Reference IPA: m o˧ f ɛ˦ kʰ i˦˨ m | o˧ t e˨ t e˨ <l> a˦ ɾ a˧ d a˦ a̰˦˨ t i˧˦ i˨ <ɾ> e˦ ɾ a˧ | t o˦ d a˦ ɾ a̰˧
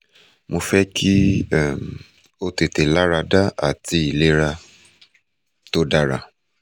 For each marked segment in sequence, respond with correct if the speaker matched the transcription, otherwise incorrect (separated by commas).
correct, incorrect